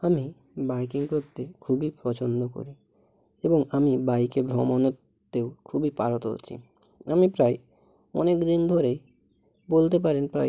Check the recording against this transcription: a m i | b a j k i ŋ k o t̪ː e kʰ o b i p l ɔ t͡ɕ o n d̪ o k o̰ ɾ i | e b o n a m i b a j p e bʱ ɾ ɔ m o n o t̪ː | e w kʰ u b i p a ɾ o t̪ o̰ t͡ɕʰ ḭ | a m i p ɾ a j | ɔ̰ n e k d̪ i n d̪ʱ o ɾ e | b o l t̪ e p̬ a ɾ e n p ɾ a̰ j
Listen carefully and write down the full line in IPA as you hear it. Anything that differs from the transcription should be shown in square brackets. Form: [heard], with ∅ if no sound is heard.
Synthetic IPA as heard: a m i | b a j k i ŋ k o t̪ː e kʰ [u] b i p [ɾ] ɔ t͡ɕ o n d̪ o k o̰ ɾ i | e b o [ŋ] a m i b a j [k] e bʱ ɾ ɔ m o n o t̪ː | e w kʰ u b i p a ɾ o t̪ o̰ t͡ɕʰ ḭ | a m i p ɾ a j | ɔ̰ n e k d̪ i n d̪ʱ o ɾ e | b o l t̪ e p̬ a ɾ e n p ɾ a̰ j